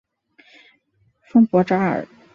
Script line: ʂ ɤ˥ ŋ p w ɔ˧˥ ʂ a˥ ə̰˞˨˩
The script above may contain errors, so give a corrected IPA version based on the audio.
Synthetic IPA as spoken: f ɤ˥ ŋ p w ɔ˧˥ ʈ͡ʂ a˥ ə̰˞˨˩

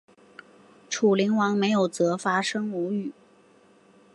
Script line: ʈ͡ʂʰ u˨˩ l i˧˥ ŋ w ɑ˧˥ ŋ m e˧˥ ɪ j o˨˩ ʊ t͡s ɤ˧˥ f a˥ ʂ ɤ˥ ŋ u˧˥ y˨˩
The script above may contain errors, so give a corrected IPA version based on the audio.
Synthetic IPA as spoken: ʈ͡ʂʰ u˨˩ l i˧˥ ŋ w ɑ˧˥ ŋ m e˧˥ ɪ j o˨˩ ʊ t͡s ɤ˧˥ f a˥ ʂ ɤ˥ ŋ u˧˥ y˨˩

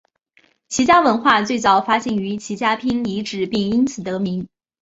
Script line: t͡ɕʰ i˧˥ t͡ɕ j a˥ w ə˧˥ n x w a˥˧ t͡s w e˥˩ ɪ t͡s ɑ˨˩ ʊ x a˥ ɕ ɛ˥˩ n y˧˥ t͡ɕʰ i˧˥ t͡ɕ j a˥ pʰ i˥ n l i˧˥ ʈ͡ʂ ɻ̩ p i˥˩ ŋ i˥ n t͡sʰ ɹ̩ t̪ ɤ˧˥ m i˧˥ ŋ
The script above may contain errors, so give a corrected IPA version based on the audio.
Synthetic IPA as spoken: t͡ɕʰ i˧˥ t͡ɕ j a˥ w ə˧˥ n x w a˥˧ t͡s w e˥˩ ɪ t͡s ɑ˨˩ ʊ f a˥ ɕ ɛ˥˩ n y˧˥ t͡ɕʰ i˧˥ t͡ɕ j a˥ pʰ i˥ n l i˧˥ ʈ͡ʂ ɻ̩ p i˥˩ ŋ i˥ n t͡sʰ ɹ̩ t̪ ɤ˧˥ m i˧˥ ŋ

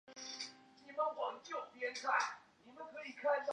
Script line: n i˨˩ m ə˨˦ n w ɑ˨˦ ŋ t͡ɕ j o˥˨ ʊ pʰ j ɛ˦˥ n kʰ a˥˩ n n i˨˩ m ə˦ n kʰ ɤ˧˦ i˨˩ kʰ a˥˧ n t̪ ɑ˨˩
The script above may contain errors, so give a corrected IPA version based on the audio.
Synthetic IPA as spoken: n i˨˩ m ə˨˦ n w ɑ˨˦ ŋ t͡ɕ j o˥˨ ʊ p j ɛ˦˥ n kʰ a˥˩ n n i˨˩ m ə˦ n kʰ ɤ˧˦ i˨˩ kʰ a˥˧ n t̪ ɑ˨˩

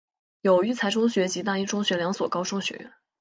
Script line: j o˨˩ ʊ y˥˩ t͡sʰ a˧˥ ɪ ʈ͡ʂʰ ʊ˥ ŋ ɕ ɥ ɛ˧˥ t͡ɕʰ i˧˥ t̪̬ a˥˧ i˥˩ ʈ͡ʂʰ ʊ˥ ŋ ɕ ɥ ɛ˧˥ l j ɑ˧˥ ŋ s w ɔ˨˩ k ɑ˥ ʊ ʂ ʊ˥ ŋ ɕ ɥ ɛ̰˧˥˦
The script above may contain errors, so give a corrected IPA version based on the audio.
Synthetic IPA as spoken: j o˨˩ ʊ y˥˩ t͡sʰ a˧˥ ɪ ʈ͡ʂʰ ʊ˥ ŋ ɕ ɥ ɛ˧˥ t͡ɕ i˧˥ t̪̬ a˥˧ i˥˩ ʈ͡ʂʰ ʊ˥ ŋ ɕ ɥ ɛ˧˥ l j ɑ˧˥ ŋ s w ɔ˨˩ k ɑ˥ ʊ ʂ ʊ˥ ŋ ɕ ɥ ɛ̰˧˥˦

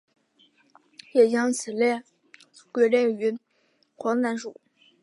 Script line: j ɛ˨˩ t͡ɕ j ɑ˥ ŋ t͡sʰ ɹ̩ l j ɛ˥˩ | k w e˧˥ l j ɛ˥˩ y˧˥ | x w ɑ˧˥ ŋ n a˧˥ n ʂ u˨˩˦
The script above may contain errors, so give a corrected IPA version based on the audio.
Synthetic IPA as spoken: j ɛ˨˩ t͡ɕ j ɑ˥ ŋ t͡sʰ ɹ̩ l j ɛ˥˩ | k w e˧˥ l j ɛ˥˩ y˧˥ | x w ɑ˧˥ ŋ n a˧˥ n ʂ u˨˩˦

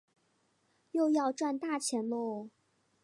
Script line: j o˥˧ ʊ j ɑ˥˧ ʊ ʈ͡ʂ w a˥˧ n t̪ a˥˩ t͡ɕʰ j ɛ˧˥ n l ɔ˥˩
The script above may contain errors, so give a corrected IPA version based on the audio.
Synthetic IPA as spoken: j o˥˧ ʊ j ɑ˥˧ ʊ ʈ͡ʂ w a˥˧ n t̪ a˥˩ t͡ɕʰ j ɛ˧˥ n l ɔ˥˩

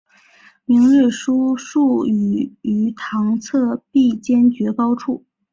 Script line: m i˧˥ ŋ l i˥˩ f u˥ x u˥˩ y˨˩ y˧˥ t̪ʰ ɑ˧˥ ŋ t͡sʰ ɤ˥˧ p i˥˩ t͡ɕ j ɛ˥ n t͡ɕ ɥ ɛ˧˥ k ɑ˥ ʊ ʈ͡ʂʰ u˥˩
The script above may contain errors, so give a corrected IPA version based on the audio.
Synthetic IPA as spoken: m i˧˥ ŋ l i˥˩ ʂ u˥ ʂ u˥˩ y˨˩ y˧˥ t̪ʰ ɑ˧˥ ŋ t͡sʰ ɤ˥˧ p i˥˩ t͡ɕ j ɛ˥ n t͡ɕ ɥ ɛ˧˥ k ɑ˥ ʊ ʈ͡ʂʰ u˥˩

